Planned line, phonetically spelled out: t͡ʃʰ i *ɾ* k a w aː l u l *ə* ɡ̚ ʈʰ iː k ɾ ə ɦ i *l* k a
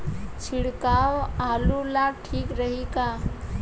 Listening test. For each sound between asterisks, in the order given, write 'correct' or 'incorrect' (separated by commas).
incorrect, incorrect, incorrect